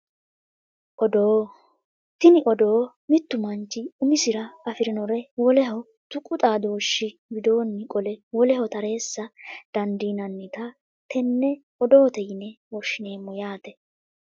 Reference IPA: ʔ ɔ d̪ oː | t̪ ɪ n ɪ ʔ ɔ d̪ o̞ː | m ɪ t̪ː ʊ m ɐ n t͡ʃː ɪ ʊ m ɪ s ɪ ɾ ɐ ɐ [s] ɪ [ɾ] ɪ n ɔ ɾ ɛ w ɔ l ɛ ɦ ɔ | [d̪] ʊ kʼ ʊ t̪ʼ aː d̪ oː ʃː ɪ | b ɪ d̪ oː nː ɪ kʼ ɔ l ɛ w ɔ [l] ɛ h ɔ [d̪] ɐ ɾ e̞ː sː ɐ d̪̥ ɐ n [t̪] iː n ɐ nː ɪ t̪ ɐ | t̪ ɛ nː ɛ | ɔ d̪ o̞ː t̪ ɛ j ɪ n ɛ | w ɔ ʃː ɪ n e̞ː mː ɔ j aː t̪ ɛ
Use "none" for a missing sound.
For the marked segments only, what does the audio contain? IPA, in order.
f, ɾ, t̪, l, t̪, d̪

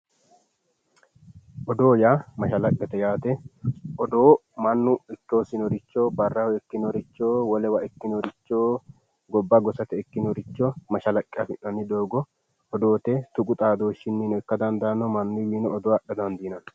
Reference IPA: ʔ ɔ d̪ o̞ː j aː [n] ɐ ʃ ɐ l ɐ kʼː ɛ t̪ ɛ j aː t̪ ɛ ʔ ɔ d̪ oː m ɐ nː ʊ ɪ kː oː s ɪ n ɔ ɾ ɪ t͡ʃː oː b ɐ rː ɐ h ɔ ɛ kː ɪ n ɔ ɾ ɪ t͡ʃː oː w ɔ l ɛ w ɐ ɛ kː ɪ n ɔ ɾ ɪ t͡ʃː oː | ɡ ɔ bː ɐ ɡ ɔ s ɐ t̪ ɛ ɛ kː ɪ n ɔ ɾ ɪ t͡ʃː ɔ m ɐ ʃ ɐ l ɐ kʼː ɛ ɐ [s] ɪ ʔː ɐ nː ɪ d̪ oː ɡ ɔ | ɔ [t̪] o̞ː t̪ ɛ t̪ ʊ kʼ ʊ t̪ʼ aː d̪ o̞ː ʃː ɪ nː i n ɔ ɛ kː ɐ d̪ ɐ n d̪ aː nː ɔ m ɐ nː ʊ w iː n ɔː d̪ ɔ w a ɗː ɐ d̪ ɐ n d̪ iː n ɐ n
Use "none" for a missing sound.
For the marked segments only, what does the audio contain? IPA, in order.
m, f, d̪

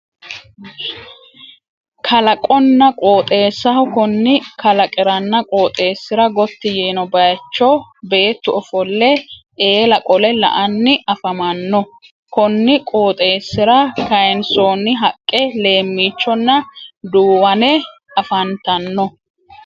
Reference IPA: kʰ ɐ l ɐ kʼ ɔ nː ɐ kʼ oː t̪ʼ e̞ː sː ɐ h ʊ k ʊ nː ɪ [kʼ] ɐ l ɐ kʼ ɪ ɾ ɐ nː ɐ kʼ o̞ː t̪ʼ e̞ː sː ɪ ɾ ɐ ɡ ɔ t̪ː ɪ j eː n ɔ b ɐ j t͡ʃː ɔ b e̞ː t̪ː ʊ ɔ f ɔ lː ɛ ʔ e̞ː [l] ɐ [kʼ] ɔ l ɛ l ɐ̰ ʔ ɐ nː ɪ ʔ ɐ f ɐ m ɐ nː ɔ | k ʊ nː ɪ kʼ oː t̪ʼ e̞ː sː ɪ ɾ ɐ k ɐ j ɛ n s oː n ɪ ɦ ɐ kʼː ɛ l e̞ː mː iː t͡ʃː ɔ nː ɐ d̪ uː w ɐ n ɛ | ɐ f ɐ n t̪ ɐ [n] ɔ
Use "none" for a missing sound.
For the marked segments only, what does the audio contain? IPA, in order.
k, l, kʼ, nː

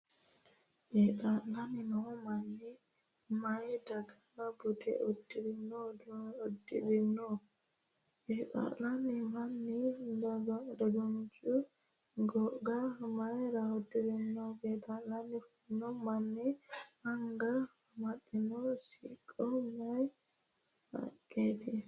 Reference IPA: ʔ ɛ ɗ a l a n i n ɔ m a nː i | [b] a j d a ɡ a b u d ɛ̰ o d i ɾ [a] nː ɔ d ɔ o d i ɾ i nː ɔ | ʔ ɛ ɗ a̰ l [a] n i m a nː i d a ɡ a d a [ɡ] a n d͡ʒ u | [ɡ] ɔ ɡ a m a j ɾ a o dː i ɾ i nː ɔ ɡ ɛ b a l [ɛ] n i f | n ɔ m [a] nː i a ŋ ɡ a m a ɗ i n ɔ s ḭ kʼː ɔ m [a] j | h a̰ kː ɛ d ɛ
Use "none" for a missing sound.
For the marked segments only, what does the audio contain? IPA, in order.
m, i, a, ɡ, ɡ, a, a, a

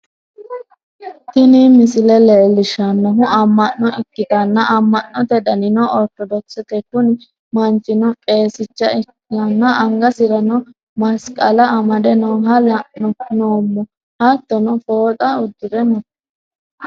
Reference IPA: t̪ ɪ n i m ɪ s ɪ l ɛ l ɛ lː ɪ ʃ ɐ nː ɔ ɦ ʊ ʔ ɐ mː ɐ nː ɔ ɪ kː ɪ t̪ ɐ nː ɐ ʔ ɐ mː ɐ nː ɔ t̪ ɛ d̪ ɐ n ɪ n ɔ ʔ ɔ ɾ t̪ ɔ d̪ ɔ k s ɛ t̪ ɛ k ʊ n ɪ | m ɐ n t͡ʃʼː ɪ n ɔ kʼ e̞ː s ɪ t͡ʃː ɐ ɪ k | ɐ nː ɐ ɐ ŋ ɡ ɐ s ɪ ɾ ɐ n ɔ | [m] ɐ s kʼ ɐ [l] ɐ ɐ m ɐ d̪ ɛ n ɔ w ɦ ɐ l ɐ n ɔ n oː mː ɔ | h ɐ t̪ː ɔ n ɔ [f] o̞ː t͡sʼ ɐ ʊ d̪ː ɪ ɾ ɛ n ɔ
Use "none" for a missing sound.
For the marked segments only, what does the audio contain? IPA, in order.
m, l, f

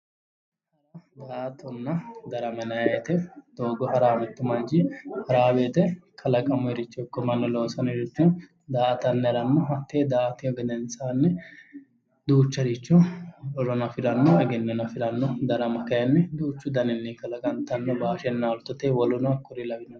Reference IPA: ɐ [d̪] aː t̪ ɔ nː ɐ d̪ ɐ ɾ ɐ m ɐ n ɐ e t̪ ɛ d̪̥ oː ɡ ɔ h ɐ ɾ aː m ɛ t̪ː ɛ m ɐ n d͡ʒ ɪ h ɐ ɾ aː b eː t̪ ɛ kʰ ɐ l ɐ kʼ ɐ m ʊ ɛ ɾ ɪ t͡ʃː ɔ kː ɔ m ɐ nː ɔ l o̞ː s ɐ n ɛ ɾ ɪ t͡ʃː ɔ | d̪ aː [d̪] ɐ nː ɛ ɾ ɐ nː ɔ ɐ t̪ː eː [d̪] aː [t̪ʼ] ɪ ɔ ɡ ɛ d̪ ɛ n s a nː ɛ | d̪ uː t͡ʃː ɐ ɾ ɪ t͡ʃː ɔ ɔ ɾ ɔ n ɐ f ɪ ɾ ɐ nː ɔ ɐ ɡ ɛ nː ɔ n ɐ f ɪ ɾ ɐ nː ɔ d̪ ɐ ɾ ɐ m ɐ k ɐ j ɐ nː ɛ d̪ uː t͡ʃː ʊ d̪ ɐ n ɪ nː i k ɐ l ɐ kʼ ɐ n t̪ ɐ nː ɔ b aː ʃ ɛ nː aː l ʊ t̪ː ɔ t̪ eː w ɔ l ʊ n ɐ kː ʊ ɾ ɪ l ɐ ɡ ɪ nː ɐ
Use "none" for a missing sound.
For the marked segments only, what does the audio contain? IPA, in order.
d̪, t̪, d̪, t̪

